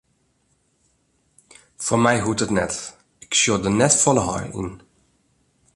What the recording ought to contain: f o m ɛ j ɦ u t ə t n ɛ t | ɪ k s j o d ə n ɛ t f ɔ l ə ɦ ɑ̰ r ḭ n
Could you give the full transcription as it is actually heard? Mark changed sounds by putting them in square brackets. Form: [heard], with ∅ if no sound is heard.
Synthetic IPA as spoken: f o m ɛ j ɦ u t ə t n ɛ t | ɪ k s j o d ə n ɛ t f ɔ l ə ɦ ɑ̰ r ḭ n